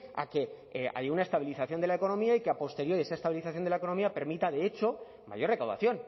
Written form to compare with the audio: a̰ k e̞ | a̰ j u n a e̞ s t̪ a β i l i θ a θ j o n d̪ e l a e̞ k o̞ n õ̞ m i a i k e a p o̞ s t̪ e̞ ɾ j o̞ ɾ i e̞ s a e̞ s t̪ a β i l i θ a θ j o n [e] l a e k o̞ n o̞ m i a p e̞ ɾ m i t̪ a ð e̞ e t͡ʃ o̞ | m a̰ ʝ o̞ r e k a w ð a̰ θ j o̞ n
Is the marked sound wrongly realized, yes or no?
no